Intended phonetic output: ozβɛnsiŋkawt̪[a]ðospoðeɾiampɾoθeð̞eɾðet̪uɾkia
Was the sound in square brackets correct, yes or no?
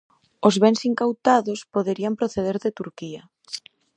yes